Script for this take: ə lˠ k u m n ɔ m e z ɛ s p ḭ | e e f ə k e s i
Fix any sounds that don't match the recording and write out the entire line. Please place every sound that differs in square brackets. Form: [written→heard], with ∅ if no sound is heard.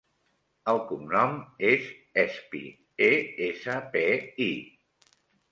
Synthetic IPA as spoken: ə lˠ k u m n ɔ m e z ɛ s p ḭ | e e [f→s] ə [k→p] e [s→∅] i